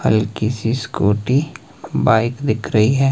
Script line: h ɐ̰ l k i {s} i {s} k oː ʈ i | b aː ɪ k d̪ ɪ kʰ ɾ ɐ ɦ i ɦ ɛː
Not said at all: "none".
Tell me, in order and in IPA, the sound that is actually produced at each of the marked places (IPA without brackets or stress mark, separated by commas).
s, s